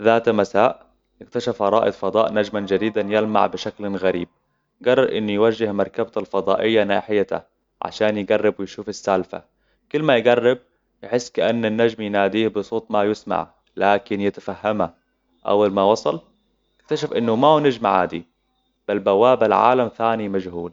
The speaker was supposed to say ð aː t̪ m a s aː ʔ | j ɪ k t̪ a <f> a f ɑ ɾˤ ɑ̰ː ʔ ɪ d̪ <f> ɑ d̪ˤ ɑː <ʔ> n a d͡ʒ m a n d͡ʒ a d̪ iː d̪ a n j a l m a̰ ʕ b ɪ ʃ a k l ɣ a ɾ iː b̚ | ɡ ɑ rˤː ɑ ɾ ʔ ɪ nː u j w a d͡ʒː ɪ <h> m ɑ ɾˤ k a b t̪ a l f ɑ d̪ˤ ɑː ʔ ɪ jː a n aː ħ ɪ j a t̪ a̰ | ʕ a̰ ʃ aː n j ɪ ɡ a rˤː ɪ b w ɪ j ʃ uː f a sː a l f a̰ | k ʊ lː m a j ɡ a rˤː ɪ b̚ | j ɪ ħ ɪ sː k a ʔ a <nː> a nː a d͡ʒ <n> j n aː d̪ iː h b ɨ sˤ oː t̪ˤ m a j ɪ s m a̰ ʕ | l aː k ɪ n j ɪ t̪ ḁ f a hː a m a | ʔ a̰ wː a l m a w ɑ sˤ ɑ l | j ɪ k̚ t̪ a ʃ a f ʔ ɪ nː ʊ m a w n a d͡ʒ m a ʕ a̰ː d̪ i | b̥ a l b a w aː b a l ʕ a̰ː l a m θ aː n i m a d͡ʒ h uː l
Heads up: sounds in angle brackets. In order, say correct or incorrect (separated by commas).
incorrect, correct, correct, correct, correct, incorrect